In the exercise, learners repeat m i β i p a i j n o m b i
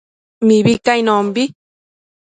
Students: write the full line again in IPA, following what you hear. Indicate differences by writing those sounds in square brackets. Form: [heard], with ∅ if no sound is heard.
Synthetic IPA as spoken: m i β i [k] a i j n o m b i